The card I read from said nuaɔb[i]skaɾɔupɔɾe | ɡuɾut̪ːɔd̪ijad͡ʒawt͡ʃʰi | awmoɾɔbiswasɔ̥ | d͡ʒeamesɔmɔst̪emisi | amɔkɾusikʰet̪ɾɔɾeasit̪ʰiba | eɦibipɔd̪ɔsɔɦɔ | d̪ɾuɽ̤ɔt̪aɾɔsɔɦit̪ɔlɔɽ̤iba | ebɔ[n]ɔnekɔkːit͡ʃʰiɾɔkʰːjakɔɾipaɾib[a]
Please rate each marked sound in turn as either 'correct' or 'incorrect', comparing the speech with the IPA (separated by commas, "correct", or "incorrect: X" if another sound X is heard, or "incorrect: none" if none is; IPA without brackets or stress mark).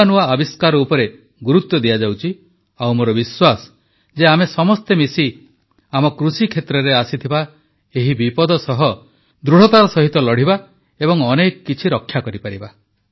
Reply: correct, incorrect: ŋ, correct